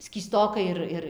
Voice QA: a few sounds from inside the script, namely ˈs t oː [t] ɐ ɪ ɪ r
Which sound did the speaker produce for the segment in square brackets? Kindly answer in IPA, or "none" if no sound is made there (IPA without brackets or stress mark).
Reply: k